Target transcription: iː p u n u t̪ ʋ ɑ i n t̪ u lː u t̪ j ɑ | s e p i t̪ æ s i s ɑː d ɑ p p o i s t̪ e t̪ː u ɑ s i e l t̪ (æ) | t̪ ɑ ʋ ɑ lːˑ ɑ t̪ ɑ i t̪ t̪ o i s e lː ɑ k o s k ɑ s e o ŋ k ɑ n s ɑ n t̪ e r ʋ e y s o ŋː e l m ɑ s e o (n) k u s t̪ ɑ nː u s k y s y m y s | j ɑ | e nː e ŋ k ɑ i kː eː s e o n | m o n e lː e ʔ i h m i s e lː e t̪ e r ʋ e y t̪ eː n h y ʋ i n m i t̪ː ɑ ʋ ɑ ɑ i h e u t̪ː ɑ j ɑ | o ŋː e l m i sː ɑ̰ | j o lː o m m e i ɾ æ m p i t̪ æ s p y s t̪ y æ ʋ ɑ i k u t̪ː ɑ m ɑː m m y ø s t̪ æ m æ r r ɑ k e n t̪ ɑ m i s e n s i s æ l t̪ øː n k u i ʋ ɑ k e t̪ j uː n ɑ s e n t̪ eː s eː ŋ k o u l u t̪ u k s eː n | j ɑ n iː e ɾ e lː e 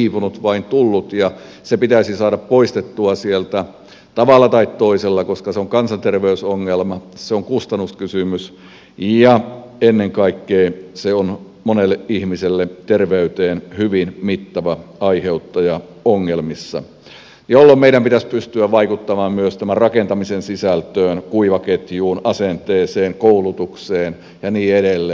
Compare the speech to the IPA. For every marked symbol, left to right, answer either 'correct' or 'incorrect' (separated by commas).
correct, incorrect